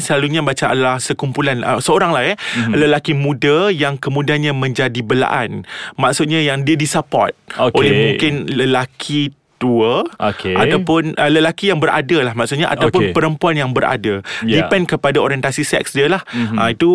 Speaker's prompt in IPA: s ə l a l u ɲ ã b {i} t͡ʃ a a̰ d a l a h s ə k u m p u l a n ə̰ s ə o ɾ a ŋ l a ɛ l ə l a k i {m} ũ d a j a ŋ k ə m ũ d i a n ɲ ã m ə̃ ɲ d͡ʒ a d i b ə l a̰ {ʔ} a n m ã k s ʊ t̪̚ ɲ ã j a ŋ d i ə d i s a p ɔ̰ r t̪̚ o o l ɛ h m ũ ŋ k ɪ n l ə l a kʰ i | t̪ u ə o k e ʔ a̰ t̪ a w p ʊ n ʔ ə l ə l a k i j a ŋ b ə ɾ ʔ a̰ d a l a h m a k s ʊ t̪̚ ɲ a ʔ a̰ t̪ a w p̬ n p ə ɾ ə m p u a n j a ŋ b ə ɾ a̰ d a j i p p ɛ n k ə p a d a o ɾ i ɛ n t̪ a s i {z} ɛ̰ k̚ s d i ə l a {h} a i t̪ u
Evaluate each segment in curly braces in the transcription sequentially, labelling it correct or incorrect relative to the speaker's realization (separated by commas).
incorrect, correct, correct, incorrect, correct